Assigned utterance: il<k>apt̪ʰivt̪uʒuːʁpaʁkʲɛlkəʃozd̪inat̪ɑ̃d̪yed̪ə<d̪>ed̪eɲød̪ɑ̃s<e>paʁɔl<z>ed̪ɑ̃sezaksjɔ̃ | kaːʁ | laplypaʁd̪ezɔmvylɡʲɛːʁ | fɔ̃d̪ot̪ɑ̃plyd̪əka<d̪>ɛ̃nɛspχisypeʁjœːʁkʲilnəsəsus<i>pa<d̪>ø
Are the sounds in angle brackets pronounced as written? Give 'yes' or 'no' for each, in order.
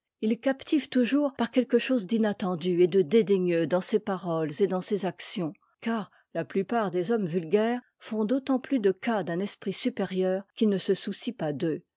yes, yes, yes, yes, yes, yes, yes

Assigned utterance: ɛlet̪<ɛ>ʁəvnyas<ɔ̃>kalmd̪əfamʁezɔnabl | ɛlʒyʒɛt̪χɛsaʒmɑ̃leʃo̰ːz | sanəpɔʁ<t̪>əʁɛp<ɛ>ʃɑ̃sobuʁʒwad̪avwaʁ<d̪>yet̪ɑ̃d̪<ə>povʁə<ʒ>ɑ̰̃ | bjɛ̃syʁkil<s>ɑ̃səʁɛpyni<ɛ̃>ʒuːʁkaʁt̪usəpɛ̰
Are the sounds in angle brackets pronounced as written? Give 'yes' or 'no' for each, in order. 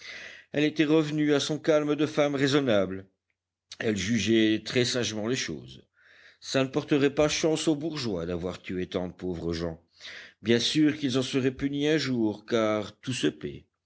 yes, yes, yes, no, no, yes, yes, no, yes

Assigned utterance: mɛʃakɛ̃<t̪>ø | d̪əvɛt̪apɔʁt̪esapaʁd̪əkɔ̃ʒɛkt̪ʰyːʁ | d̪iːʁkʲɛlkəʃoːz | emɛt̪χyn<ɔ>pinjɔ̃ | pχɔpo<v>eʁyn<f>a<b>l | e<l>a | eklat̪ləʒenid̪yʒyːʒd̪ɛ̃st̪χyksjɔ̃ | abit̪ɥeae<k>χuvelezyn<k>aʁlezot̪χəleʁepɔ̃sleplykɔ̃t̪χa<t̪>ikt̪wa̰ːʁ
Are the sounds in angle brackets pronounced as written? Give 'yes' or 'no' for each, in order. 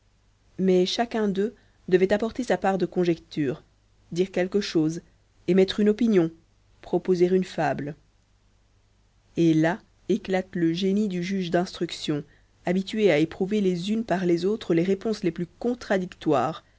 no, yes, no, yes, yes, yes, no, no, no

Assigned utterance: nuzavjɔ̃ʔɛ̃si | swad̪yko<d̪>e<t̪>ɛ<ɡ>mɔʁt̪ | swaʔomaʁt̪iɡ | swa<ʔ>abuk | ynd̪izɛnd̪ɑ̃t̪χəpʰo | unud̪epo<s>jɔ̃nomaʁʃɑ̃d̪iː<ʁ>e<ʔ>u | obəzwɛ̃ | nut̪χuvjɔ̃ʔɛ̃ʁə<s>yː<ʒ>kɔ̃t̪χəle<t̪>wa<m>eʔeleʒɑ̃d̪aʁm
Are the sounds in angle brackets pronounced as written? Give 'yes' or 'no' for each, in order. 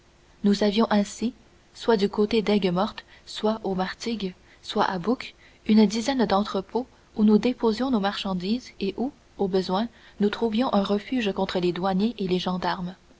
no, no, yes, yes, no, no, yes, no, yes, no, no

